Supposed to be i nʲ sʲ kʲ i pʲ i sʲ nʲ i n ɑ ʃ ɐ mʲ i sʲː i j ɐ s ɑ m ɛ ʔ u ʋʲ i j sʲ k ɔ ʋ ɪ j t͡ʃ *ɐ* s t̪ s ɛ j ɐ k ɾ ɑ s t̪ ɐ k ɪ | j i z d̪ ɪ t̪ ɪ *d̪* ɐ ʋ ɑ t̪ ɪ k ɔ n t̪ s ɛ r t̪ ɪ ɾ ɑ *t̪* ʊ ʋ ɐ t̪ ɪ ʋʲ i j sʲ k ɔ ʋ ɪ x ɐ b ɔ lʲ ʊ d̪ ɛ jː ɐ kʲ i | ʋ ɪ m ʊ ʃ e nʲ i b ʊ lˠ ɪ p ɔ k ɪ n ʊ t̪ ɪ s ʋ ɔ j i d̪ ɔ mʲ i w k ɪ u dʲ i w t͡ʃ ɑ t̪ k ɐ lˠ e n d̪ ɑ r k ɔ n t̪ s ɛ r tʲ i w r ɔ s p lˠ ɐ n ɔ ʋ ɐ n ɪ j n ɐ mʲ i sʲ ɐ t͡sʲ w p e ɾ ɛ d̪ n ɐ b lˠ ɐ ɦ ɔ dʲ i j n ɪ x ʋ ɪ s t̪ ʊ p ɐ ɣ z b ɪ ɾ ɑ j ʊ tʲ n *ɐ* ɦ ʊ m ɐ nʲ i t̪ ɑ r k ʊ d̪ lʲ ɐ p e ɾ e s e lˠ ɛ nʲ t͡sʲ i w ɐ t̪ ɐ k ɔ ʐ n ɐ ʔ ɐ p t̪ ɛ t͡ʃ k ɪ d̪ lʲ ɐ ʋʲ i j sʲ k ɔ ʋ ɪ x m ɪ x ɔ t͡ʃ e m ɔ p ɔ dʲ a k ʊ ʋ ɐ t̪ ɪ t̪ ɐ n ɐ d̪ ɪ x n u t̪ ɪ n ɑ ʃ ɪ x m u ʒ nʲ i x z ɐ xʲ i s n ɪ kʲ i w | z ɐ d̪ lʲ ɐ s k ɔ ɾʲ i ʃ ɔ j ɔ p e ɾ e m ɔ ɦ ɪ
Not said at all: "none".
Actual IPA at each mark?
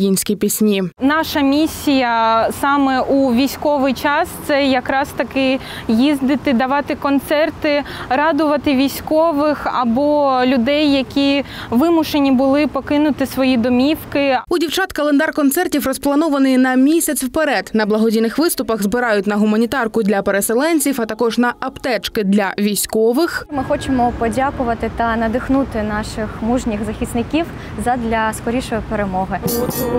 ɑ, d̪, d̪, ɐ

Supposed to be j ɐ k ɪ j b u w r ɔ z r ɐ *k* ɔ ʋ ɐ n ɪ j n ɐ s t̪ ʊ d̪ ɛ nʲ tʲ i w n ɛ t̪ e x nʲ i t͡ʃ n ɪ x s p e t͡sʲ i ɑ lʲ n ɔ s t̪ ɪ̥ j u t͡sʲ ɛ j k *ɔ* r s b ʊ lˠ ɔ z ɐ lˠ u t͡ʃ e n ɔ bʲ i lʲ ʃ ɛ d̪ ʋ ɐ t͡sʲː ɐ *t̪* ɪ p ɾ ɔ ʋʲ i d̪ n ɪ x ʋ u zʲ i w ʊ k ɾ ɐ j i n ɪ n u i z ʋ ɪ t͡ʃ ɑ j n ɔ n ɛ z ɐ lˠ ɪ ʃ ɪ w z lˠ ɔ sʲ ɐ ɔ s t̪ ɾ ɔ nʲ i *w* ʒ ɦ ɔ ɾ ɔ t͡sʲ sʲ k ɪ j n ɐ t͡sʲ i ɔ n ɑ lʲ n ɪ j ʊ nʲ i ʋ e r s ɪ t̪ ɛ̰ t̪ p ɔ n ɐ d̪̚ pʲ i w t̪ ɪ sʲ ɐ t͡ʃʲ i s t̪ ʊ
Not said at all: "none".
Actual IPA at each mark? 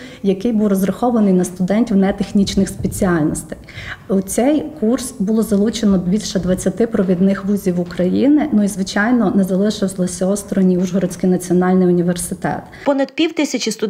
x, u, t̪, u

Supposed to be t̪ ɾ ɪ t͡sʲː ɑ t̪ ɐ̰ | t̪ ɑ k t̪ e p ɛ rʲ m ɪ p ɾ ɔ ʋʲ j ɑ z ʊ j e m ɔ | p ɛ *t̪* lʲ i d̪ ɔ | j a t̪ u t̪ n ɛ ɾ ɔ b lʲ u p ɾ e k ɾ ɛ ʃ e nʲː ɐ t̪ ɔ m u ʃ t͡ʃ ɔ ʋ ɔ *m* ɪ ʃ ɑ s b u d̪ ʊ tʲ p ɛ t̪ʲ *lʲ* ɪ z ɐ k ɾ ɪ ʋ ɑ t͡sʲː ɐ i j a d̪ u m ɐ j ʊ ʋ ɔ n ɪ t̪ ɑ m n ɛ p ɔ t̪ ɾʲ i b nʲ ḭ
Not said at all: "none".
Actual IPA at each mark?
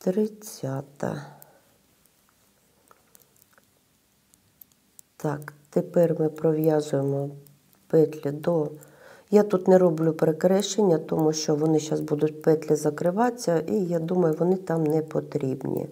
t̪, n, lʲ

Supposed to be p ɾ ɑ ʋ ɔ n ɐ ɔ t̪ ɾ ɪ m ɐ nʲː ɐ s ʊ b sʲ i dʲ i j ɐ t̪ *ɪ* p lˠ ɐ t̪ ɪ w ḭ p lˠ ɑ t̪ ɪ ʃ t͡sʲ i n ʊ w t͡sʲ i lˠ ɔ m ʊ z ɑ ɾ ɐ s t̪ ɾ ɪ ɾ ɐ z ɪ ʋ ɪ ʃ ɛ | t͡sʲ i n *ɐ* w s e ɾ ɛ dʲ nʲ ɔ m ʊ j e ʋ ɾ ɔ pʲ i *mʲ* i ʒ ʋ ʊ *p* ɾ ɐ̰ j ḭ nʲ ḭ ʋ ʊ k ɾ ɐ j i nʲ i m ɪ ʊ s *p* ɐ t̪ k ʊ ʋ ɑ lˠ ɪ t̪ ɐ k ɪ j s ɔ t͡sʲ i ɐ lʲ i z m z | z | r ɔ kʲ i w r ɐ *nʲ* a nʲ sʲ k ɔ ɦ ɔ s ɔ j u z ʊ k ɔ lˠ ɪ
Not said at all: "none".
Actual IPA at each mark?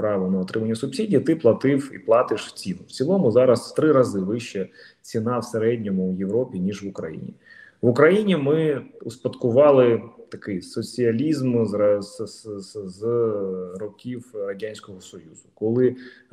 ɪ, ɑ, nʲ, k, p, dʲ

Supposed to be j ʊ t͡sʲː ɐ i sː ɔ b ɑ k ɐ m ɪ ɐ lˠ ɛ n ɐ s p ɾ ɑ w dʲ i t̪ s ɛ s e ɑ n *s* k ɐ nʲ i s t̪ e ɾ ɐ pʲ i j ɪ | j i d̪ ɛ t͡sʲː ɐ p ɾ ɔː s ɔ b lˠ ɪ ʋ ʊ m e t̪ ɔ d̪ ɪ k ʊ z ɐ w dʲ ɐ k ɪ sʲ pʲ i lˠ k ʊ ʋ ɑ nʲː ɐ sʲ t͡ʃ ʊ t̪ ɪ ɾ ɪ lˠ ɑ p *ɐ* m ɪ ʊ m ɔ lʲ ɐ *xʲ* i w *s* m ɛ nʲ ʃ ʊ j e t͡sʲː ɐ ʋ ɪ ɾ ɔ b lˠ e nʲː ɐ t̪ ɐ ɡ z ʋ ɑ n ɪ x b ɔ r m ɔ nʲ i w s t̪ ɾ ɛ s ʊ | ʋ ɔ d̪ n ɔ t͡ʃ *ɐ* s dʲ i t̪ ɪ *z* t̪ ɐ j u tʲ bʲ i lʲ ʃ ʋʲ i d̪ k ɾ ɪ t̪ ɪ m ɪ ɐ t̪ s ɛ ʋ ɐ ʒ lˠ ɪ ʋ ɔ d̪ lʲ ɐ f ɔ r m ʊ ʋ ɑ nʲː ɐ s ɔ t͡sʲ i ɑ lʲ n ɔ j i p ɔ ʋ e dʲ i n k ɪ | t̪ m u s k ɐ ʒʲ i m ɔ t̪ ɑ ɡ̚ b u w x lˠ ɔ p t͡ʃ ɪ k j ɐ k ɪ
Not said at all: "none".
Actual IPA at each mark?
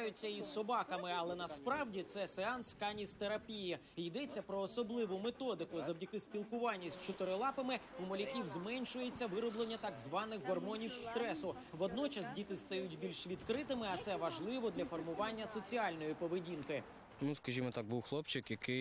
s, ɐ, kʲ, z, ɐ, s

